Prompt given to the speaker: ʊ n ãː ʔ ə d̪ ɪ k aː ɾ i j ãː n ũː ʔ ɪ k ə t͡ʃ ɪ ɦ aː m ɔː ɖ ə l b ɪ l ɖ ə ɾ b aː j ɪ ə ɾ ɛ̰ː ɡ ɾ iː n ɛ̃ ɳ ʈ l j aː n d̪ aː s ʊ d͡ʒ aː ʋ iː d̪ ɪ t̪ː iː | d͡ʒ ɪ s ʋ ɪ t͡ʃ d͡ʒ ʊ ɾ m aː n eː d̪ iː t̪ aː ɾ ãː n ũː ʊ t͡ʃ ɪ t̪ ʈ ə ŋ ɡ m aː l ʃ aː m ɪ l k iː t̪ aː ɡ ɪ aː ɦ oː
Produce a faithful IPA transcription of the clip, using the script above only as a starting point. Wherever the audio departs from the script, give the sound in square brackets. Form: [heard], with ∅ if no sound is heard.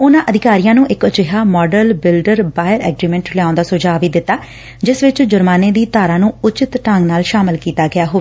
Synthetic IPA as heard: ʊ n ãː ʔ ə d̪ ɪ k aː ɾ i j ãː n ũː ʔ ɪ k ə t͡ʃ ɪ ɦ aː m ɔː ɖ ə l b ɪ l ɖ ə ɾ b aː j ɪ ə ɾ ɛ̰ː ɡ ɾ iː [m] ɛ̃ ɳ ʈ l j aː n d̪ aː s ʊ d͡ʒ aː ʋ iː d̪ ɪ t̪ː [aː] | d͡ʒ ɪ s ʋ ɪ t͡ʃ d͡ʒ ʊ ɾ m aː n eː d̪ iː t̪ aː ɾ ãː n ũː ʊ t͡ʃ ɪ t̪ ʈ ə ŋ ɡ [n] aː l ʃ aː m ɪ l k iː t̪ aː ɡ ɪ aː ɦ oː